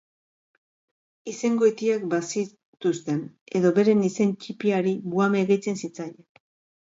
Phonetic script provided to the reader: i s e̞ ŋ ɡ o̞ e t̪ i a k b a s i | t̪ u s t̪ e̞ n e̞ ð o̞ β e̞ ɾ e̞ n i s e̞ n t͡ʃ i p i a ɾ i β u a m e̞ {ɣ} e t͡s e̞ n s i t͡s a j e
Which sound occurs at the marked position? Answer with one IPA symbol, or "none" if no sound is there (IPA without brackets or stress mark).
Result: ɣ